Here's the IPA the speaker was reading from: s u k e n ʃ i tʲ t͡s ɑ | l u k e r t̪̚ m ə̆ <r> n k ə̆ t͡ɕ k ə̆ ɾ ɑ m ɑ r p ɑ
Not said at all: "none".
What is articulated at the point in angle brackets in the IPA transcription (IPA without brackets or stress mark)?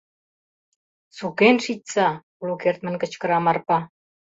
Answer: none